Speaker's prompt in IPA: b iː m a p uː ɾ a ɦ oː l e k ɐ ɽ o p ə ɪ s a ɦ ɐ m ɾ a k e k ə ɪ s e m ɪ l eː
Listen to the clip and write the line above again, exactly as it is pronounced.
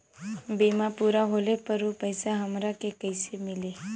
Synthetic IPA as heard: b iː m a p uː ɾ a ɦ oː l e p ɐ ɾ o p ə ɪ s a ɦ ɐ m ɾ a k e k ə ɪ s e m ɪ l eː